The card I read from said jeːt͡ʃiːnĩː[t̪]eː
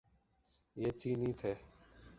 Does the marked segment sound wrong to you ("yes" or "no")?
yes